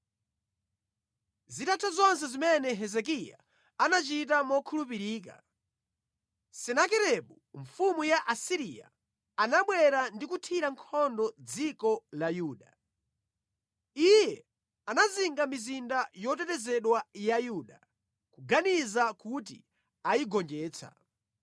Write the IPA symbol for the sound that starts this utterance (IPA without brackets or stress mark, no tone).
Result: z